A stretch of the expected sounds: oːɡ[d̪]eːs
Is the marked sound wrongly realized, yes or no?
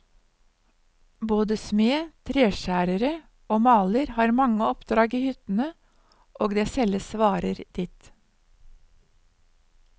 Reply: no